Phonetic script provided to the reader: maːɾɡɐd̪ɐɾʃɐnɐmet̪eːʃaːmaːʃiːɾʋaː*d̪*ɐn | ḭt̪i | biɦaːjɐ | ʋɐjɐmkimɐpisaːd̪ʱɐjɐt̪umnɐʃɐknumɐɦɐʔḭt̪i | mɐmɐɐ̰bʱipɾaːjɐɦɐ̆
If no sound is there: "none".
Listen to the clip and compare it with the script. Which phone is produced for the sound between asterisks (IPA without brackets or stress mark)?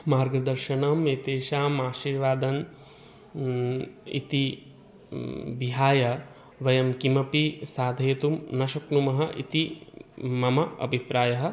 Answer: d̪